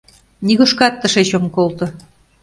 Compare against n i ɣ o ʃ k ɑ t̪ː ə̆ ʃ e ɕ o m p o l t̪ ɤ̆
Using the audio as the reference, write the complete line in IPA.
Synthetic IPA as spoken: n i ɣ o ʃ k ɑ t̪ː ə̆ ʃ e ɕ o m k o l t̪ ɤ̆